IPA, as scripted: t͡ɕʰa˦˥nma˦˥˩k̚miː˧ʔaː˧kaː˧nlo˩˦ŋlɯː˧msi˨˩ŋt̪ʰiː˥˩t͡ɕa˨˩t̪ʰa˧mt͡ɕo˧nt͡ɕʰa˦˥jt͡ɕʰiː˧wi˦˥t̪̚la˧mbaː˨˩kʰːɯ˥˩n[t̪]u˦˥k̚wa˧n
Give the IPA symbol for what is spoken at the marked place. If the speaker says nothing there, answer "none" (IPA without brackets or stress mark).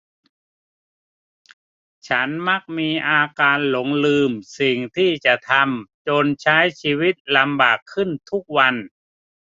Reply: t̪ʰ